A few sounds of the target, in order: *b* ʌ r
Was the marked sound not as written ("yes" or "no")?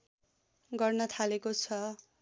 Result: yes